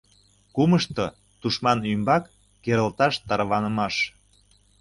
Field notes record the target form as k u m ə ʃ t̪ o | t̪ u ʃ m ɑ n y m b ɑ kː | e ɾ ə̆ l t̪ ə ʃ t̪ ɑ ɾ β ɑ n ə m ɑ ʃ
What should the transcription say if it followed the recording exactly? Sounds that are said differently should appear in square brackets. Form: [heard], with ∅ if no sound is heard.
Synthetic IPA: k u m ə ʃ t̪ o | t̪ u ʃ m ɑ n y m b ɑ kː | e ɾ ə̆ l t̪ [ɑ] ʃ t̪ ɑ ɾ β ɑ n ə m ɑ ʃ